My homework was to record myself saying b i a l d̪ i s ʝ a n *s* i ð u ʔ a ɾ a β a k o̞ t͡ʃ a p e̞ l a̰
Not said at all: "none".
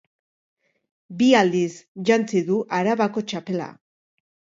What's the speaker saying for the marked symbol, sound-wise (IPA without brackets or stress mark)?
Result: t͡s